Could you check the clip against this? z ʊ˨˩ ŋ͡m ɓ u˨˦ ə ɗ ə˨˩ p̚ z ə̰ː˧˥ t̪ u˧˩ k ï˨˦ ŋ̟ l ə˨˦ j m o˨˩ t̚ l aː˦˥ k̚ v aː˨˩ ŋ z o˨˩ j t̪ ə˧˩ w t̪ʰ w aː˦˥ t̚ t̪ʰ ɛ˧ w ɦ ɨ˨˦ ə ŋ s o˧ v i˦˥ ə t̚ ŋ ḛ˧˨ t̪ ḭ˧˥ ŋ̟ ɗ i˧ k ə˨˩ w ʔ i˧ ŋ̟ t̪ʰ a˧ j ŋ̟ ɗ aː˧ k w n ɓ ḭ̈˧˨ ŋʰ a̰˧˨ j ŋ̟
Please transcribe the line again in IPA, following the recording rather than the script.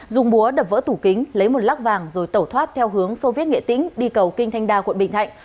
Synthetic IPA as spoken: z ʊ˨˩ ŋ͡m ɓ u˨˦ ə ɗ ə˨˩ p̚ v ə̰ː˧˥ t̪ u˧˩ k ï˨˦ ŋ̟ l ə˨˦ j m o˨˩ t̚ l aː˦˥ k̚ v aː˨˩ ŋ z o˨˩ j t̪ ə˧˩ w t̪ʰ w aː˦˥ t̚ t̪ʰ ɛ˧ w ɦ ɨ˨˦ ə ŋ s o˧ v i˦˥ ə t̚ ŋ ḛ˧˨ t̪ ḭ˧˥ ŋ̟ ɗ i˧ k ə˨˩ w k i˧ ŋ̟ t̪ʰ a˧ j ŋ̟ ɗ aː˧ k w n ɓ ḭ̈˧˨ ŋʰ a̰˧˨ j ŋ̟

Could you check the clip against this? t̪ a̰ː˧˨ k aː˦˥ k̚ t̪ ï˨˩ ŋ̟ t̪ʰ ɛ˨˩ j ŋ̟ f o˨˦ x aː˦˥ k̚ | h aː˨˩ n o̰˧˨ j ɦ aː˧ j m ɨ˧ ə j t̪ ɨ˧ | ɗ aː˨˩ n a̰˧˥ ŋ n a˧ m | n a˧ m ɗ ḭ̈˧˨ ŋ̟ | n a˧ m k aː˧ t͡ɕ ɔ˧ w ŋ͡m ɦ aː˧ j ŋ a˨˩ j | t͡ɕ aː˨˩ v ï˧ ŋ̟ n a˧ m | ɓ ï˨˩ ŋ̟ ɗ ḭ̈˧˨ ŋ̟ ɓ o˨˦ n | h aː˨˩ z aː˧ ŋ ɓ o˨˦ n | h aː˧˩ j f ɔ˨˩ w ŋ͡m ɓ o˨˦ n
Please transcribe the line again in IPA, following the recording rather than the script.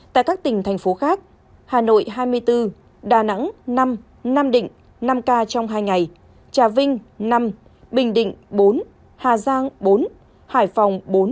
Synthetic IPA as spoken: t̪ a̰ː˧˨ k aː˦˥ k̚ t̪ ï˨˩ ŋ̟ t̪ʰ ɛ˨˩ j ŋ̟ f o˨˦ x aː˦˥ k̚ | h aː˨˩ n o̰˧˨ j ɦ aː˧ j m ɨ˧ ə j t̪ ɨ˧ | ɗ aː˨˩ n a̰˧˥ ŋ n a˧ m | n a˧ m ɗ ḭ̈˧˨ ŋ̟ | n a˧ m k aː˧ t͡ɕ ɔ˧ w ŋ͡m ɦ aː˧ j ŋ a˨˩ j | t͡ɕ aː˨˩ v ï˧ ŋ̟ n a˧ m | ɓ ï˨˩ ŋ̟ ɗ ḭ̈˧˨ ŋ̟ ɓ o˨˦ n | h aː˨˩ z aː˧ ŋ ɓ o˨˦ n | h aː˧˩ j f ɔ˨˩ w ŋ͡m ɓ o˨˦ n

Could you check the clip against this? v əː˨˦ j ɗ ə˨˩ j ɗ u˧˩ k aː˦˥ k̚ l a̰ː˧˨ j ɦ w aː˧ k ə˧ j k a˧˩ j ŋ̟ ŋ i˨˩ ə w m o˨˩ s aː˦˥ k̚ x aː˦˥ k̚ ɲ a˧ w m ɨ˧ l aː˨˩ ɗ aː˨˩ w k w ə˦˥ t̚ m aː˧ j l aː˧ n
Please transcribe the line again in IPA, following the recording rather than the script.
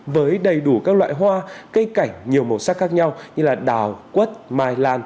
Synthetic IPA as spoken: v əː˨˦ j ɗ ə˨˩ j ɗ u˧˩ k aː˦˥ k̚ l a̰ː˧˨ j ɦ w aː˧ k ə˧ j k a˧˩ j ŋ̟ ɲ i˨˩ ə w m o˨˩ s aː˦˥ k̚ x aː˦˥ k̚ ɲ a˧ w ɲ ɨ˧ l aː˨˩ ɗ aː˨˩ w k w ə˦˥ t̚ m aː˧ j l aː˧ n

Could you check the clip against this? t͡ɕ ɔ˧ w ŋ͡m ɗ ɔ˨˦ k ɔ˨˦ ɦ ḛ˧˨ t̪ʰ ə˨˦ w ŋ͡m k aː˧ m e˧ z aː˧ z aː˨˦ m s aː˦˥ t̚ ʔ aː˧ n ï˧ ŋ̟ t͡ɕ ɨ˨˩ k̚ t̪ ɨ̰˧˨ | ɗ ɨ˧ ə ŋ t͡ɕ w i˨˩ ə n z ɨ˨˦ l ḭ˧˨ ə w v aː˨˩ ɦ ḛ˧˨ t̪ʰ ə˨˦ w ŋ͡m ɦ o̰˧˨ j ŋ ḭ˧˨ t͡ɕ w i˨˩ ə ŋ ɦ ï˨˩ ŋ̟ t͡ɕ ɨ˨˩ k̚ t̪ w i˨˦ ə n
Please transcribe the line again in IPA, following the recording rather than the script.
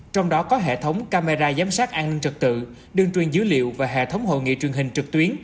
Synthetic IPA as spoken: t͡ɕ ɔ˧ w ŋ͡m ɗ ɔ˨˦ k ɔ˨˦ ɦ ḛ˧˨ t̪ʰ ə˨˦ w ŋ͡m k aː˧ m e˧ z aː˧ z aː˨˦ m s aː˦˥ t̚ ʔ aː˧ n ï˧ ŋ̟ t͡ɕ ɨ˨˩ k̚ t̪ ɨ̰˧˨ | ɗ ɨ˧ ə ŋ t͡ɕ w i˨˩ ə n z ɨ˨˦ l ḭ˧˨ ə w v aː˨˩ ɦ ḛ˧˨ t̪ʰ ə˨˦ w ŋ͡m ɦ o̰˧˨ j ŋ ḭ˧˨ t͡ɕ w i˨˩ ə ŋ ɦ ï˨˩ ŋ̟ t͡ɕ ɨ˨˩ k̚ t̪ w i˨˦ ə n

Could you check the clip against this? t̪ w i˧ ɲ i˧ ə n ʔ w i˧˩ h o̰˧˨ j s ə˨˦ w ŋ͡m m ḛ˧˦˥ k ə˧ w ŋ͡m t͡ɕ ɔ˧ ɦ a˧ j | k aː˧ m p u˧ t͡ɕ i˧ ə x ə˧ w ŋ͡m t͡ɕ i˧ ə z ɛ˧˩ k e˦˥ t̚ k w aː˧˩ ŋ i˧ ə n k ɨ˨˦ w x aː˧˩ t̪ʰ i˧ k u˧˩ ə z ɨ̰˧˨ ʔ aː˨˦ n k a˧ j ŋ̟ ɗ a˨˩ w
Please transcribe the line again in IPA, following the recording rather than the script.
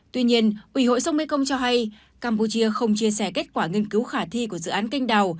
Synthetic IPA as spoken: t̪ w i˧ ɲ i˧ ə n ʔ w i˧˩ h o̰˧˨ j s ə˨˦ w ŋ͡m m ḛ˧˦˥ k ə˧ w ŋ͡m t͡ɕ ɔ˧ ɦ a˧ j | k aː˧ m p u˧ t͡ɕ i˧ ə x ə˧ w ŋ͡m t͡ɕ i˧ ə s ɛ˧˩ k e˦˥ t̚ k w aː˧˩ ŋ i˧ ə n k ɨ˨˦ w x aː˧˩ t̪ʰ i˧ k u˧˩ ə z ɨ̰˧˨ ʔ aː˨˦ n k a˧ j ŋ̟ ɗ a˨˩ w

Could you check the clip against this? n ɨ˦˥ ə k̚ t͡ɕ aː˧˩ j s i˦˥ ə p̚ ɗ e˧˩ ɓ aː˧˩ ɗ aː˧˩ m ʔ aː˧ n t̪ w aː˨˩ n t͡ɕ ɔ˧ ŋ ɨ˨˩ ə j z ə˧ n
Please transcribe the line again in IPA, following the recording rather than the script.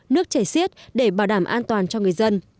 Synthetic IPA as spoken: n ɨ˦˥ ə k̚ t͡ɕ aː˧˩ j s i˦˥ ə t̚ ɗ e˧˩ ɓ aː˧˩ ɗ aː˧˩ m ʔ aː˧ n t̪ w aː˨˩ n t͡ɕ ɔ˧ ŋ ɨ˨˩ ə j z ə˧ n

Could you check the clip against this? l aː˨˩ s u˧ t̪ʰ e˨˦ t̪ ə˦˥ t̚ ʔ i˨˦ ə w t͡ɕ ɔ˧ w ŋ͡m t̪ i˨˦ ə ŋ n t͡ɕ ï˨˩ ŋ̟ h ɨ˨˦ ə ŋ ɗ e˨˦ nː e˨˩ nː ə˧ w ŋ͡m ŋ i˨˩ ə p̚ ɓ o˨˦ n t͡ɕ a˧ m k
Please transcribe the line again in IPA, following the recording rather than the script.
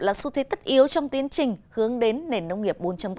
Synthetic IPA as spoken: l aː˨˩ s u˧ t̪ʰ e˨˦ t̪ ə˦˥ t̚ ʔ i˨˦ ə w t͡ɕ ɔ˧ w ŋ͡m t̪ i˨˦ ə n t͡ɕ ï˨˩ ŋ̟ h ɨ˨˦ ə ŋ ɗ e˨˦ nː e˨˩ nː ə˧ w ŋ͡m ŋ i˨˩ ə p̚ ɓ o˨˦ n t͡ɕ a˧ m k

